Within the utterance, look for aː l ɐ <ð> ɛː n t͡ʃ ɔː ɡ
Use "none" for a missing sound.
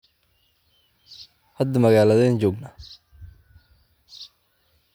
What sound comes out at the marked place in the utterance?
ð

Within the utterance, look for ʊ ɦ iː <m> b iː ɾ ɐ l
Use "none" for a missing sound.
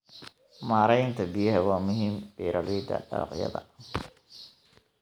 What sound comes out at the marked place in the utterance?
m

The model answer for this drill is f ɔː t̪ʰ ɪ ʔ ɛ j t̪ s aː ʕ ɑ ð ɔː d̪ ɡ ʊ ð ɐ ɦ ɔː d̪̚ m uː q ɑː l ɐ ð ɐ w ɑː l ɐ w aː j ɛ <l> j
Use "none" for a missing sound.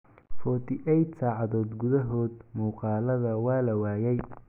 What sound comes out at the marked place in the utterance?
none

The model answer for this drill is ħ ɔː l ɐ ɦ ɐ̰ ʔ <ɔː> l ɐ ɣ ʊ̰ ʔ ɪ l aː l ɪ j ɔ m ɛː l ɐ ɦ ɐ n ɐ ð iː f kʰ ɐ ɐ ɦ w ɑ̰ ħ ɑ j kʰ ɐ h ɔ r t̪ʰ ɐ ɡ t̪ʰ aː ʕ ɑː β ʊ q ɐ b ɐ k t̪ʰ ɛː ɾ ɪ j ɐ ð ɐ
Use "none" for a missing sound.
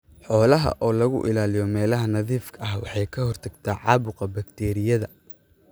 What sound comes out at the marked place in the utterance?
ɔː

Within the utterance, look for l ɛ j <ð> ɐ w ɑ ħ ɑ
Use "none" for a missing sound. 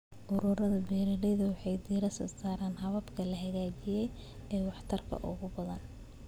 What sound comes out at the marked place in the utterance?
ð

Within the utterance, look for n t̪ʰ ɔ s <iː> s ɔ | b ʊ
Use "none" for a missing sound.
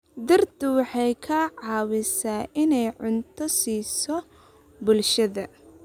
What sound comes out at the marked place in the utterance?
iː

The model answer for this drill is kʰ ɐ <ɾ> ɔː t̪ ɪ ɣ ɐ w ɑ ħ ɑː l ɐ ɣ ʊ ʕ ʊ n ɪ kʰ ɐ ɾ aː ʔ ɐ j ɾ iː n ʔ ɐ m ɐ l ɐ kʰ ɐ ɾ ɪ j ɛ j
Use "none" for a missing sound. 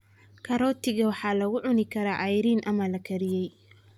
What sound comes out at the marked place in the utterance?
ɾ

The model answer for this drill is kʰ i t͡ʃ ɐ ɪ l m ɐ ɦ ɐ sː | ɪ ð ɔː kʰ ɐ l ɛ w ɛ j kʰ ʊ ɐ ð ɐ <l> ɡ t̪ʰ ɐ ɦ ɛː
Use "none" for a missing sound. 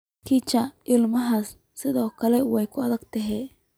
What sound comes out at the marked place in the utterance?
none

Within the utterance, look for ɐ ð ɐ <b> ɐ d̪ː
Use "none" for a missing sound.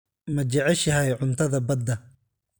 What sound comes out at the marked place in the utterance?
b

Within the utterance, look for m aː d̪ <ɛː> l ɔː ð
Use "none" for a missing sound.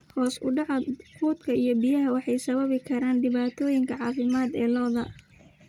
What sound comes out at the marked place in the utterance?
ɛː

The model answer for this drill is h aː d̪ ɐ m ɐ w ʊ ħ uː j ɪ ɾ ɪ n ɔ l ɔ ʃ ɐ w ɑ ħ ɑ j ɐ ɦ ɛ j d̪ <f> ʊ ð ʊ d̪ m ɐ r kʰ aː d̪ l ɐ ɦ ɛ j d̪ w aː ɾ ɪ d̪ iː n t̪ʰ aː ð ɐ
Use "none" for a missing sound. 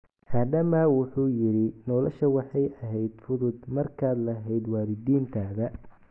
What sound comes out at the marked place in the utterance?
f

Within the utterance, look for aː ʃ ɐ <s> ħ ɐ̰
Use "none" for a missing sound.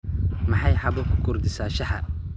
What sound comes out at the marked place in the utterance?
none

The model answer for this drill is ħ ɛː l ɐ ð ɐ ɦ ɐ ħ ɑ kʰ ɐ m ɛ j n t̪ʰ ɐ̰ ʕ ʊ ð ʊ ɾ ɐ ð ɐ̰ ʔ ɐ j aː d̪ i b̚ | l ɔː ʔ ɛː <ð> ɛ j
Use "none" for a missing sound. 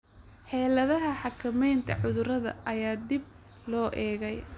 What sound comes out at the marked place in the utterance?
ɣ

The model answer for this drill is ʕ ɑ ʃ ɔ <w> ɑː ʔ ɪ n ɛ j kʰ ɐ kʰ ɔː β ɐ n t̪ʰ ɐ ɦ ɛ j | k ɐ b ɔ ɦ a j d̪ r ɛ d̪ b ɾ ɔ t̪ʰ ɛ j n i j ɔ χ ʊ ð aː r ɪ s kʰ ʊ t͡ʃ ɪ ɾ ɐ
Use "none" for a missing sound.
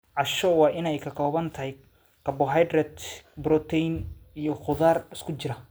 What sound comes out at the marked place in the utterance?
w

